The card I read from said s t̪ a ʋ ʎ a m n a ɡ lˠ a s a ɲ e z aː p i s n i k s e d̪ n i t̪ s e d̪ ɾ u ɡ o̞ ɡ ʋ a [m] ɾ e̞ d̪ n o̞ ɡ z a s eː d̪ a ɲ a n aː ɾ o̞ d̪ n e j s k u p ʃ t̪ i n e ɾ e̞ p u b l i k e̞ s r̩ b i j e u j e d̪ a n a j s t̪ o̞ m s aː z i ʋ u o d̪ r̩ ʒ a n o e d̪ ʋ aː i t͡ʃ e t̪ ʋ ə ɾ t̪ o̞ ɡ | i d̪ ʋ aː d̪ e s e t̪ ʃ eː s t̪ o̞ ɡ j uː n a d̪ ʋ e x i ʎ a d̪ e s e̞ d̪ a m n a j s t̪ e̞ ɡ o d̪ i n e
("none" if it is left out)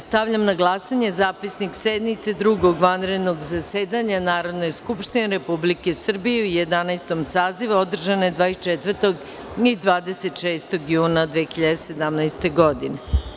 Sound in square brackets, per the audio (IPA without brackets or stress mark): n